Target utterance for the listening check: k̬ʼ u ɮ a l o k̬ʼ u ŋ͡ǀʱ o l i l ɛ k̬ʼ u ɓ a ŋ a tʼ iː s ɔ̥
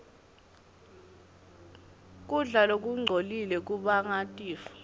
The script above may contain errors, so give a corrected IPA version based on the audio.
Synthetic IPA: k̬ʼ u ɮ a l o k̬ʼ u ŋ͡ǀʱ o l i l ɛ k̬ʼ u ɓ a ŋ a tʼ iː f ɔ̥